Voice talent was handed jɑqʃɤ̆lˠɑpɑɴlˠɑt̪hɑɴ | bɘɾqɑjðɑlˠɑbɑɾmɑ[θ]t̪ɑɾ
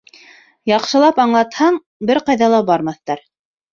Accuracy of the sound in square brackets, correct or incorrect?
correct